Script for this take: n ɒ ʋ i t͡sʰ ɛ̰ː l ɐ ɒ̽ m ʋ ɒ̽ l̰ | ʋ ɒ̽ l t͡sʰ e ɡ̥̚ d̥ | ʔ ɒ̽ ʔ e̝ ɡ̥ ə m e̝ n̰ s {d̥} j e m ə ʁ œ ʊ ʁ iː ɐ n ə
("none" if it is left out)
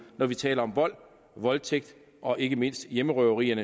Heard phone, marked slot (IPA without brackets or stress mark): d̥